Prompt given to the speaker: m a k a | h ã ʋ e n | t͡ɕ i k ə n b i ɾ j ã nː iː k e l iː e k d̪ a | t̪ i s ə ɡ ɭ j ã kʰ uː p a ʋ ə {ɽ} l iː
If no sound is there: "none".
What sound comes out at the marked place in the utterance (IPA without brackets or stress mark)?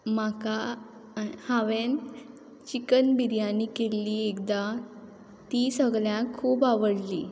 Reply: ɽ